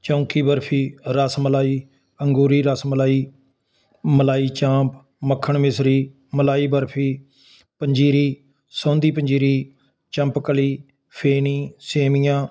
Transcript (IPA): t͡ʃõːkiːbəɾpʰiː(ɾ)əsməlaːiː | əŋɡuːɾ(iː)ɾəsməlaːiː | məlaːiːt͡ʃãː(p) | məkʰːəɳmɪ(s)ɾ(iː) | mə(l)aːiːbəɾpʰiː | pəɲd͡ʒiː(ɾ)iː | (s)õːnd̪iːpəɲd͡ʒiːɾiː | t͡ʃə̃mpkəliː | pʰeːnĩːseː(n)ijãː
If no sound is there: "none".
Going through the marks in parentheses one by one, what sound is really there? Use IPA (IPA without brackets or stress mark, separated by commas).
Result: ɾ, iː, p, s, iː, l, ɾ, s, m